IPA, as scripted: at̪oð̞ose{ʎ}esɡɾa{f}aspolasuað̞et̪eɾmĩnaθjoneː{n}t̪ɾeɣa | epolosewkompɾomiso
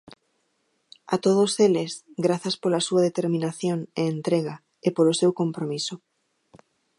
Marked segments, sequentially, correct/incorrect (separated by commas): incorrect, incorrect, correct